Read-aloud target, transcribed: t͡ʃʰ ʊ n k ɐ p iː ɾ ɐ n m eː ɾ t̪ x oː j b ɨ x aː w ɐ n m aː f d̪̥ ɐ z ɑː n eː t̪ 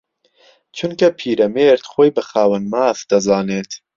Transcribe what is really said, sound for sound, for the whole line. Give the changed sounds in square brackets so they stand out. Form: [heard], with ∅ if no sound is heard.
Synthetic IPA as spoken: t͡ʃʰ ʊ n k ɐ [pʰ] iː ɾ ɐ [∅] m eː ɾ t̪ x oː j b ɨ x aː w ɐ n m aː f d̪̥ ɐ z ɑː n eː t̪